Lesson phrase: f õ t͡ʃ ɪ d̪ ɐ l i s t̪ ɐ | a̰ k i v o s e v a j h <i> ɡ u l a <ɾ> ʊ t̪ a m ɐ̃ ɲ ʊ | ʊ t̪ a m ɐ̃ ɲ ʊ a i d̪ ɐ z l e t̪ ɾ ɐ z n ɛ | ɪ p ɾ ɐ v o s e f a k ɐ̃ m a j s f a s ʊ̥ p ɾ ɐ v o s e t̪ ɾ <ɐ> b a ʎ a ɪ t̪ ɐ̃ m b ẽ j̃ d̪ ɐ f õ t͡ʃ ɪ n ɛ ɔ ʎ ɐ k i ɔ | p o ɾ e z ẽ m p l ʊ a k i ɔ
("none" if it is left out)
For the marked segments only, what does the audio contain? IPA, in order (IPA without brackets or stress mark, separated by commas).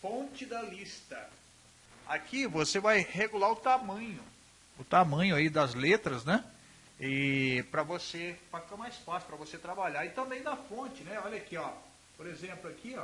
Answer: e, ɾ, a